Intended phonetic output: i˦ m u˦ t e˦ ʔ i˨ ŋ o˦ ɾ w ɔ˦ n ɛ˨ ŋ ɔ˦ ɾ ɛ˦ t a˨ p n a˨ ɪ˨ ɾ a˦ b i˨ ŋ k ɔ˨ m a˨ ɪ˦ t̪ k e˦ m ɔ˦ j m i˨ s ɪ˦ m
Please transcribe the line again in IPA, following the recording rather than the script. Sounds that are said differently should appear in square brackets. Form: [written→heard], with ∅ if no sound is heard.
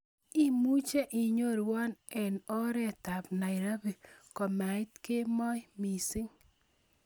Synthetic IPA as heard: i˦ m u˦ [t→t͡ʃ] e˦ ʔ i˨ [ŋ→ɲ] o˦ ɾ w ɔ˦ n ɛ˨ [ŋ→n] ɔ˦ ɾ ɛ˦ t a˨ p n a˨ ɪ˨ ɾ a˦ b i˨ [ŋ→∅] k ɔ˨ m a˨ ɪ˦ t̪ k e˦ m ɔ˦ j m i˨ s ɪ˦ [m→ŋ]